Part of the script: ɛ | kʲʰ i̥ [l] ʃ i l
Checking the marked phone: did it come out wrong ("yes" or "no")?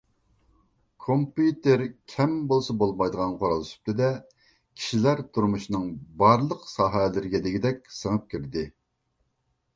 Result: yes